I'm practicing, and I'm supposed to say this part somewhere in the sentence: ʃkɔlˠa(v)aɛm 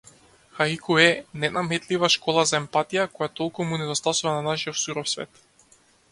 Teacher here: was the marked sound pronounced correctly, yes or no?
no